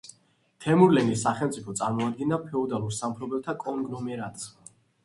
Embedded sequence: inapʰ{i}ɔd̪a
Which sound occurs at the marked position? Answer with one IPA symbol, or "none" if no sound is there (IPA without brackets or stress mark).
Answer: ɛ